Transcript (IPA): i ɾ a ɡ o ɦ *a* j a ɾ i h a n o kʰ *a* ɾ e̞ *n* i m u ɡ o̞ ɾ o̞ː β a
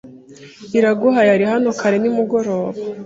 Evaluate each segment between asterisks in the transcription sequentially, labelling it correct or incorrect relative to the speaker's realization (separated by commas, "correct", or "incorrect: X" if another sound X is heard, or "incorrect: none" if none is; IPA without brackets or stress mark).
correct, correct, correct